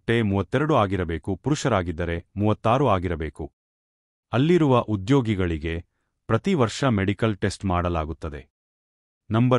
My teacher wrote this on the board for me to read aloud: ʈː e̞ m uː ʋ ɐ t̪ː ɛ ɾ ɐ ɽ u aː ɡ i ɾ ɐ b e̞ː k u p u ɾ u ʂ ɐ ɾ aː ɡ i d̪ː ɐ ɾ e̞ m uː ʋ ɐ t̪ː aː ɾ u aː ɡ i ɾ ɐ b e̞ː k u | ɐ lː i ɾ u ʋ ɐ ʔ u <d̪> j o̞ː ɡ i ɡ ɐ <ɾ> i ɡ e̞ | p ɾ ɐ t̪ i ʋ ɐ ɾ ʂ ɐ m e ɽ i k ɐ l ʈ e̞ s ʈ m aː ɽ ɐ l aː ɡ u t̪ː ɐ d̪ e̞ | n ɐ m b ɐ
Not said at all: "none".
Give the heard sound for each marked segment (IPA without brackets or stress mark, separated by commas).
d̪, ɭ